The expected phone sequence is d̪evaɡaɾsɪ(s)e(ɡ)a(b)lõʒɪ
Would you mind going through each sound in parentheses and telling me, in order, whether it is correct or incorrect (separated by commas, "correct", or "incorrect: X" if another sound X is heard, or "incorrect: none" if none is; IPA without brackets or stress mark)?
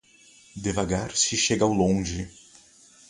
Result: incorrect: ʃ, correct, incorrect: w